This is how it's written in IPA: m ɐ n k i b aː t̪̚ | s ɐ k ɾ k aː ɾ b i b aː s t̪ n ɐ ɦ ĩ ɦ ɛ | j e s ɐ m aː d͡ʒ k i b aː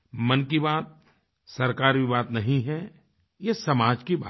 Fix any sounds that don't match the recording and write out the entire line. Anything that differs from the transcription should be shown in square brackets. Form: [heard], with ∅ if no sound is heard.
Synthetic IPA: m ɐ n k i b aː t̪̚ | s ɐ [∅] ɾ k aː ɾ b i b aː [∅] t̪ n ɐ ɦ ĩ ɦ ɛ | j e s ɐ m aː d͡ʒ k i b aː